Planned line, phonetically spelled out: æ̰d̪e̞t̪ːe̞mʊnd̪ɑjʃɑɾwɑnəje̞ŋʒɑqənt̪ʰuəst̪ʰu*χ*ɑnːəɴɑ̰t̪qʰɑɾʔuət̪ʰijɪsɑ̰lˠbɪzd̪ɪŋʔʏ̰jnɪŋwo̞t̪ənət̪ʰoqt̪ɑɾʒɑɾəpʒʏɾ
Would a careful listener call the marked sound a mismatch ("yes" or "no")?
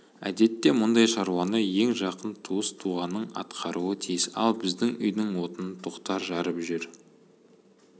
yes